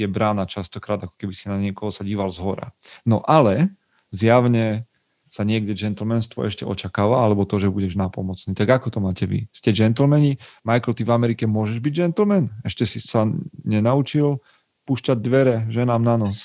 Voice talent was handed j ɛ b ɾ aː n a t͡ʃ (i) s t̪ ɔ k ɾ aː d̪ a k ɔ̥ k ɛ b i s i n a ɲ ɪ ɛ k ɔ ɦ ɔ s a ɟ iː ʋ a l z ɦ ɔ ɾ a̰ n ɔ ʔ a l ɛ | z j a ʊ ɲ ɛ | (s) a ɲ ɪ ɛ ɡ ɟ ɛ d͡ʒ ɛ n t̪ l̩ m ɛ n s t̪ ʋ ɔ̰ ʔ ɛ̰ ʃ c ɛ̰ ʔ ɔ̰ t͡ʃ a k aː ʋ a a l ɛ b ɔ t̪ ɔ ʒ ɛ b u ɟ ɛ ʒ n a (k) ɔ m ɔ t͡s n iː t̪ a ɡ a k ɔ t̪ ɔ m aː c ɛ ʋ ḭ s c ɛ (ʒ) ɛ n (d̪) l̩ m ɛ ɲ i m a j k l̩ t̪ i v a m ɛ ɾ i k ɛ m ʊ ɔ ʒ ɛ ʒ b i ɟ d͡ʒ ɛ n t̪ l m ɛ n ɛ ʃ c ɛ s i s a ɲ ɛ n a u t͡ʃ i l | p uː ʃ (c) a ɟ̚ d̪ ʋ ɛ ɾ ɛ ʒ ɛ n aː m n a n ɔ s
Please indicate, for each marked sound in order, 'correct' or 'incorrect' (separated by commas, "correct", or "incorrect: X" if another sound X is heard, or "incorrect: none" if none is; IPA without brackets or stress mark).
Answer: incorrect: a, correct, incorrect: p, incorrect: d͡ʒ, incorrect: t̪, correct